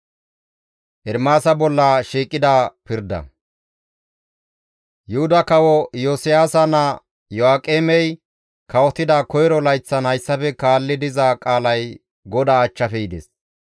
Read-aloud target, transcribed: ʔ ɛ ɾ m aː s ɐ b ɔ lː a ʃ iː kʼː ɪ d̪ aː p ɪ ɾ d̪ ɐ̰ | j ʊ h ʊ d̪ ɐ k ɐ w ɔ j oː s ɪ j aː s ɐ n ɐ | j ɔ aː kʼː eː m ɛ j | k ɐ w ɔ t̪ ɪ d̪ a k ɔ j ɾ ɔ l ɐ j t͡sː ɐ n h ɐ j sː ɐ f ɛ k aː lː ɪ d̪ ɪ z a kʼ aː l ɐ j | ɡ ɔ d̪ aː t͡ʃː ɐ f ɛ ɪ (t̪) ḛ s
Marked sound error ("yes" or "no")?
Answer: yes